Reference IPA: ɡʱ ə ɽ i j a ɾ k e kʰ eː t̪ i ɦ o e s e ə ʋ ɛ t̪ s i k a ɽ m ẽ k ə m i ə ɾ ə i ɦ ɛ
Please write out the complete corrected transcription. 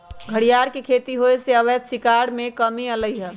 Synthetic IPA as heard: ɡʱ ə ɽ i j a ɾ k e kʰ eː t̪ i ɦ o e s e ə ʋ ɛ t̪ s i k a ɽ m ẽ k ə m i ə l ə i ɦ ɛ